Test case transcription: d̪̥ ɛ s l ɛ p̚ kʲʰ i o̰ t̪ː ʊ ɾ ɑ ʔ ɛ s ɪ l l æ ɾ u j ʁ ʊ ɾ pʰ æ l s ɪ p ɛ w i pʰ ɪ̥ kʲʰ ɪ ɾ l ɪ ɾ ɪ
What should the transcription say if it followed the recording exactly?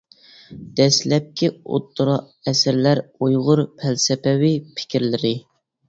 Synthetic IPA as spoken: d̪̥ ɛ s l ɛ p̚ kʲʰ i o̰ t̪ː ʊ ɾ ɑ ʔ ɛ s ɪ ɾ l æ ɾ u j ʁ ʊ ɾ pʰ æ l s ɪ p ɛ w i pʰ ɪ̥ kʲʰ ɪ ɾ l ɪ ɾ ɪ